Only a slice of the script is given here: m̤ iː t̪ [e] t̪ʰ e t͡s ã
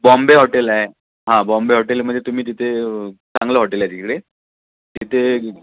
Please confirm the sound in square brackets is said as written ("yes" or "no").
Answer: no